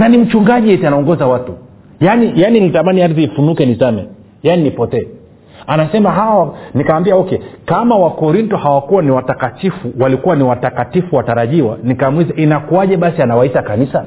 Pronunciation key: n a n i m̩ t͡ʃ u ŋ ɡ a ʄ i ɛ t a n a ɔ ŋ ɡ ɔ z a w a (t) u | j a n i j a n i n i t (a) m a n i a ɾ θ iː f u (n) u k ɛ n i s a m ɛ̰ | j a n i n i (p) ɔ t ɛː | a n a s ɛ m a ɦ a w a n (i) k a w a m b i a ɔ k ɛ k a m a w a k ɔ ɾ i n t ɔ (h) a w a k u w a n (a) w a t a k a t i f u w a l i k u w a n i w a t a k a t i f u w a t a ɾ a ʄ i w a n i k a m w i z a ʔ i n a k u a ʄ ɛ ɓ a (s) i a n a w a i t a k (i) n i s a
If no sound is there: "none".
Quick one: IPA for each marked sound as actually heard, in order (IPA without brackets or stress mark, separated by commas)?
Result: t, a, n, p, i, h, i, s, a